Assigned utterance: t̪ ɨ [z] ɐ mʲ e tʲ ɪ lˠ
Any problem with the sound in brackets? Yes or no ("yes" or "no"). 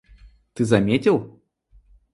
no